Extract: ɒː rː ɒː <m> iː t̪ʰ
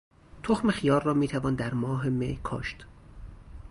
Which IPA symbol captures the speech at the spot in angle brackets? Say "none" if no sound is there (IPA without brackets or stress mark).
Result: m